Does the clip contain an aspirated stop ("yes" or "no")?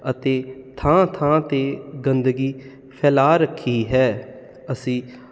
yes